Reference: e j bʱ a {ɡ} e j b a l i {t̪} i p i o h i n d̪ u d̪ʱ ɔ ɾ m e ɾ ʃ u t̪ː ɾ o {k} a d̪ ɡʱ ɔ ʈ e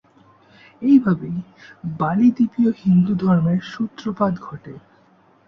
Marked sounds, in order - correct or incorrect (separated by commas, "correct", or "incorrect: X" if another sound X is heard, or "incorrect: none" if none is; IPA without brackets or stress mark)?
incorrect: b, incorrect: d̪, incorrect: p